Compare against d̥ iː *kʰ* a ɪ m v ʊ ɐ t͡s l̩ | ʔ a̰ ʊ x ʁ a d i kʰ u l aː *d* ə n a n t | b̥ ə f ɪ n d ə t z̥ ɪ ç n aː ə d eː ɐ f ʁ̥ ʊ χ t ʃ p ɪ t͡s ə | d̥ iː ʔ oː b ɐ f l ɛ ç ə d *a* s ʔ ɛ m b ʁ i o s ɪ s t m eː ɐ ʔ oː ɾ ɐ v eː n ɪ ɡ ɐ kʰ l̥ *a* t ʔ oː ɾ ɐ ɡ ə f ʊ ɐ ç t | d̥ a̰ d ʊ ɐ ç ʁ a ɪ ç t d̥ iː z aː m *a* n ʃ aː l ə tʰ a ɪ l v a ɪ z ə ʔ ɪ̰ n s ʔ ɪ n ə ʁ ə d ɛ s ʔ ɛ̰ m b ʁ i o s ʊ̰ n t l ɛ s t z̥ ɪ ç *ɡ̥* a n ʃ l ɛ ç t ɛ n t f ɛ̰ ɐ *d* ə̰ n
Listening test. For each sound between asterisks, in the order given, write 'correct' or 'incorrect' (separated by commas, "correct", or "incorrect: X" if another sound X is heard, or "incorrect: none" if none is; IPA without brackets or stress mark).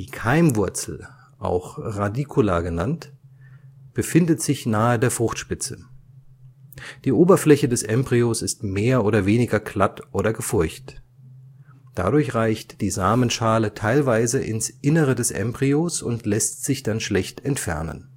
correct, incorrect: ɡ, incorrect: ɛ, correct, incorrect: ə, incorrect: d̥, incorrect: n